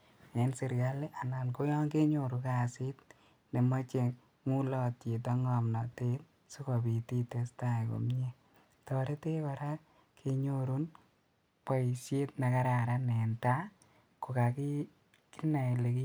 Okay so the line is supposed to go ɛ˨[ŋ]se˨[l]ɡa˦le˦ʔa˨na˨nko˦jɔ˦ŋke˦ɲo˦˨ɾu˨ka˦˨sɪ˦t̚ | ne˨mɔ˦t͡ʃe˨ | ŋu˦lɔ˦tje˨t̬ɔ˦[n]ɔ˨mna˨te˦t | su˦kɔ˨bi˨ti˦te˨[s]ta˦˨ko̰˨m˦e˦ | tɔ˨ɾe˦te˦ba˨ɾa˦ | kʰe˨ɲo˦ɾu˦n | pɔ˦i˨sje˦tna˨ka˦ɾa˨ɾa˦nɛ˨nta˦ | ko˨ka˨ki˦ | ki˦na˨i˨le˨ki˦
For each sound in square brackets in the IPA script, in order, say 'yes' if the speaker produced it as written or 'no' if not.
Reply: no, no, no, yes

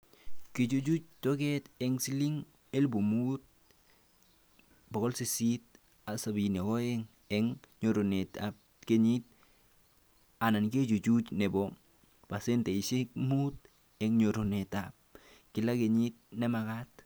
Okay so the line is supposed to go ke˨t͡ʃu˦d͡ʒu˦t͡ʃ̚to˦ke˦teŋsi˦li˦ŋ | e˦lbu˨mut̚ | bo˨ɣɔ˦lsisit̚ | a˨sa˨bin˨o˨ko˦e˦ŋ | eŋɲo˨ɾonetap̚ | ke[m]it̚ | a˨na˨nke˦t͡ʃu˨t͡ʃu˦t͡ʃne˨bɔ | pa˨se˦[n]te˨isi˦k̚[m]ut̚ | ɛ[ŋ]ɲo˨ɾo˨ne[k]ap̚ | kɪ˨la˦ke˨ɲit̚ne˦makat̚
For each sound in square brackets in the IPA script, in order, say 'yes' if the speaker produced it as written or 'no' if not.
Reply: no, yes, yes, yes, no

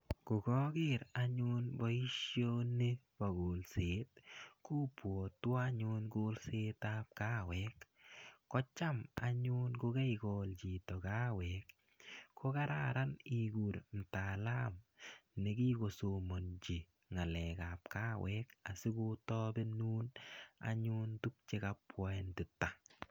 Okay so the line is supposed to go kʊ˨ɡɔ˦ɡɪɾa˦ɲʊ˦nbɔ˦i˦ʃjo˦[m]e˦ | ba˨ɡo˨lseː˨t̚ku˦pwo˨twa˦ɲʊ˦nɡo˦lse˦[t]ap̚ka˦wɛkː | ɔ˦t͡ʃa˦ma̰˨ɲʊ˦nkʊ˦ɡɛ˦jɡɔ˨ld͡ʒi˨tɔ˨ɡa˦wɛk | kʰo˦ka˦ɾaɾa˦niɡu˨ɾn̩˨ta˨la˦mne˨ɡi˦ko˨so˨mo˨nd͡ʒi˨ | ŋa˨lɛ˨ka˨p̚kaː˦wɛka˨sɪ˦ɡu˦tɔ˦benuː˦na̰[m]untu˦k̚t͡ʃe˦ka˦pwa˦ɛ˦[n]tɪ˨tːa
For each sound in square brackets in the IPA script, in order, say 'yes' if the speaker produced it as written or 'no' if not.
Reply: no, yes, no, yes

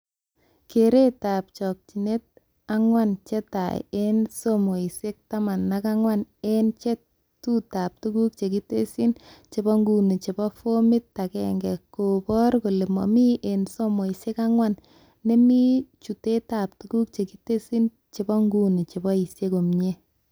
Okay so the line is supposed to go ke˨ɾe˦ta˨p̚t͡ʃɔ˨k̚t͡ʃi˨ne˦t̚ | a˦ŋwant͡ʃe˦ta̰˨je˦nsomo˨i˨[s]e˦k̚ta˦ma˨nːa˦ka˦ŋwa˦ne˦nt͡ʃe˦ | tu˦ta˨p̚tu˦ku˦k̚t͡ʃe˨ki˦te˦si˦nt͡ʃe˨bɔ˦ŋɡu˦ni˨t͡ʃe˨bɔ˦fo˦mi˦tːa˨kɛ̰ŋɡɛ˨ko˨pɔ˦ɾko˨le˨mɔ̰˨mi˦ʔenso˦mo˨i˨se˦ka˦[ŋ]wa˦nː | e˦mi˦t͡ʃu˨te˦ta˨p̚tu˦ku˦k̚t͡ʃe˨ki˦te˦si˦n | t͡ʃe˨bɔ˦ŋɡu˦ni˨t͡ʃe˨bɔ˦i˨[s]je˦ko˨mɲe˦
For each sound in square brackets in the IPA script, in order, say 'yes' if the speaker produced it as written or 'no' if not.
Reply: yes, yes, yes

